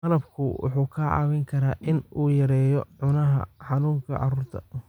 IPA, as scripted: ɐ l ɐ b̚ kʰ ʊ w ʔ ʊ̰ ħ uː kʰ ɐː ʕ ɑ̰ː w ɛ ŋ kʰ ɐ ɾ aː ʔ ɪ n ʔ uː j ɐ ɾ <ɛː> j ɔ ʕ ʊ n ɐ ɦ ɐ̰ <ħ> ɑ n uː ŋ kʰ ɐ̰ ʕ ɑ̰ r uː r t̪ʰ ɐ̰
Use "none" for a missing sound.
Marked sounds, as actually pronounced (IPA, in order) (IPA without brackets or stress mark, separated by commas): ɛː, ħ